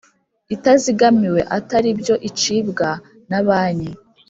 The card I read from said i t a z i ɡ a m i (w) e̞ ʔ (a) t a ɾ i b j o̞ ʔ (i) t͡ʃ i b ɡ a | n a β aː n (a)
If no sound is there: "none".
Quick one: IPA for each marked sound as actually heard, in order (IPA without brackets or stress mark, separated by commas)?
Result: w, a, i, i